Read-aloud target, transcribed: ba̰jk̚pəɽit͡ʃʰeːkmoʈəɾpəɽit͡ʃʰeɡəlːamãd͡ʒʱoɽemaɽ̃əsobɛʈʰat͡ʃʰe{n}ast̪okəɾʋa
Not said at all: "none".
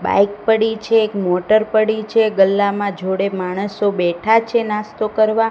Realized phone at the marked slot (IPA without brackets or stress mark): n